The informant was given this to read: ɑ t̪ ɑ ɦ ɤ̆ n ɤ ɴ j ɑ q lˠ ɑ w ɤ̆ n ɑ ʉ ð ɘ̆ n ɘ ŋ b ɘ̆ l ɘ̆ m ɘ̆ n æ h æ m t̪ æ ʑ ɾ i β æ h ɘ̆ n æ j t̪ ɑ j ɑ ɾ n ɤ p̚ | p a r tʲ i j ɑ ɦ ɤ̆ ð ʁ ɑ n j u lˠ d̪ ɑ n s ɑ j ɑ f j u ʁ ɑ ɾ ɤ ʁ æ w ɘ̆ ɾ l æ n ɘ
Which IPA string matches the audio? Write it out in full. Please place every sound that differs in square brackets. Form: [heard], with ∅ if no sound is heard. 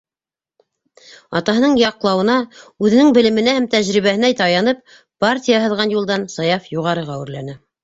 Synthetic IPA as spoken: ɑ t̪ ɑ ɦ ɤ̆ n ɤ ɴ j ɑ q lˠ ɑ w ɤ̆ n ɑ ʉ ð ɘ̆ n ɘ ŋ b ɘ̆ l ɘ̆ m ɘ̆ n æ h æ m t̪ æ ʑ ɾ i β æ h ɘ̆ n æ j t̪ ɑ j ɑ [∅] n ɤ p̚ | p a r tʲ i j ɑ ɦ ɤ̆ ð ʁ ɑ n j u lˠ d̪ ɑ n s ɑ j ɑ f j u ʁ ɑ ɾ ɤ ʁ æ w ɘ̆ ɾ l æ n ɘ